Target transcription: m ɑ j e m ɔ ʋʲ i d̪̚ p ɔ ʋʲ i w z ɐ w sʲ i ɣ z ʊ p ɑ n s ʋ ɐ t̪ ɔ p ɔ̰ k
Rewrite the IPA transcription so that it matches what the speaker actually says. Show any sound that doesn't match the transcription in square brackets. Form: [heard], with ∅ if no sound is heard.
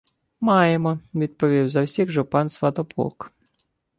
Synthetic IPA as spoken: m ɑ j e m ɔ ʋʲ i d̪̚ p ɔ ʋʲ i w z ɐ w sʲ i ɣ [ʒ] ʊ p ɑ n s ʋ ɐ t̪ ɔ p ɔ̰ k